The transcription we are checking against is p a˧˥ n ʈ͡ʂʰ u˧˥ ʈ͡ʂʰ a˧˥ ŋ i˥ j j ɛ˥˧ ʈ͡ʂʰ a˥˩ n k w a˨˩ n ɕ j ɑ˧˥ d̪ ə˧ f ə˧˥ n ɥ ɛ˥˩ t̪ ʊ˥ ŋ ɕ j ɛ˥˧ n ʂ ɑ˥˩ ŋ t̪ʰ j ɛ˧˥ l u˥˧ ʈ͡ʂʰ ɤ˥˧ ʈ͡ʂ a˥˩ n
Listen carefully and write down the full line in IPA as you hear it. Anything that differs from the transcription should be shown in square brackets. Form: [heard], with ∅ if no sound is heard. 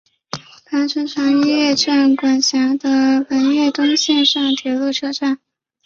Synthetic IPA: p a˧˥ n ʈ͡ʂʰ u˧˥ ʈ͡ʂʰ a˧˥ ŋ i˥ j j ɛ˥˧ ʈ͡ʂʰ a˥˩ n k w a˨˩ n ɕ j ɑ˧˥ d̪ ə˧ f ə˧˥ n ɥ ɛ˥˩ t̪ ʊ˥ ŋ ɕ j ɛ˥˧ n ʂ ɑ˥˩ ŋ t̪ʰ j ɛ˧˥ l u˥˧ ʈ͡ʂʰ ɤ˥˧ ʈ͡ʂ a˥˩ n